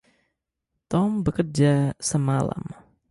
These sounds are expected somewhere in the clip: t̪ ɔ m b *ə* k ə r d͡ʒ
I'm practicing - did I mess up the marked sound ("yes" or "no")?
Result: no